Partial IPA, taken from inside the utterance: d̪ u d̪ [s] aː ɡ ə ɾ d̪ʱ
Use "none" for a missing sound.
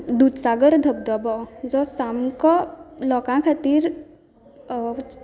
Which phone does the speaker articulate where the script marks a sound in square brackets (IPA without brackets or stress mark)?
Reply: s